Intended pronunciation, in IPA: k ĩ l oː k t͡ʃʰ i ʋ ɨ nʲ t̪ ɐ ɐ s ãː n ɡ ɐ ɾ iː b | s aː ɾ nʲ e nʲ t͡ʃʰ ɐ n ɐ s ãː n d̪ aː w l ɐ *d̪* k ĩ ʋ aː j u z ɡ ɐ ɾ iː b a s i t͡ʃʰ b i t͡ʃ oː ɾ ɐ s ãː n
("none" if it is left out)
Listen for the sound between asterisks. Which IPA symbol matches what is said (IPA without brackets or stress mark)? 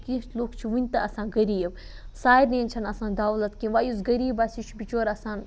t̪